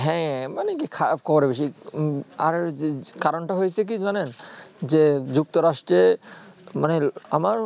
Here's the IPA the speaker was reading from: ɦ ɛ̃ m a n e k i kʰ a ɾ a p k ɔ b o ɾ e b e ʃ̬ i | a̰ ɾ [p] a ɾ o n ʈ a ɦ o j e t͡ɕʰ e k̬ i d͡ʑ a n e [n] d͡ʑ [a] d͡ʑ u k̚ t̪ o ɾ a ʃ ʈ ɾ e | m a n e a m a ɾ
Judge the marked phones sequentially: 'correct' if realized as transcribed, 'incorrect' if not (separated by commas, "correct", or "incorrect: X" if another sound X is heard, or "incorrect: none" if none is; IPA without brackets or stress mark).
incorrect: k, correct, incorrect: e